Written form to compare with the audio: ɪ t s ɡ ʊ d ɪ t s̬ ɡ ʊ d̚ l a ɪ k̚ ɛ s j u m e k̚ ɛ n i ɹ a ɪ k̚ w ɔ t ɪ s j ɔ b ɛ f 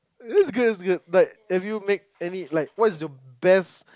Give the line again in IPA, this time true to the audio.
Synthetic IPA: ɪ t s ɡ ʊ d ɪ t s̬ ɡ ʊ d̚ l a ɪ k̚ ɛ f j u m e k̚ ɛ n i l a ɪ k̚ w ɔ t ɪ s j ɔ b ɛ s

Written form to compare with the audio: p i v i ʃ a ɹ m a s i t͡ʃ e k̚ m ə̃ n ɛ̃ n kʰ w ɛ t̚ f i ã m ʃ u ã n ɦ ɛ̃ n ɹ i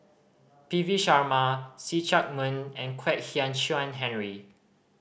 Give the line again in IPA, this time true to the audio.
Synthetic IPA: p i v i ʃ a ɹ m a s i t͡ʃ a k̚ m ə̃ n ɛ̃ n kʰ w ɛ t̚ h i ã n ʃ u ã n ɦ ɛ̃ n ɹ i

